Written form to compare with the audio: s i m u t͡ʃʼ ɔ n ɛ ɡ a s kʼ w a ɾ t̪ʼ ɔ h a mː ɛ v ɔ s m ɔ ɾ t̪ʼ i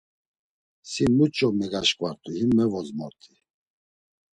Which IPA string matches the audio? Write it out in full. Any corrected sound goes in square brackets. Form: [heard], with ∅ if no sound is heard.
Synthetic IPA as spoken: s i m u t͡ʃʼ ɔ [m] ɛ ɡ a [ʃ] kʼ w a ɾ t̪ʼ [u] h [i] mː ɛ v ɔ [z] m ɔ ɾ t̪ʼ i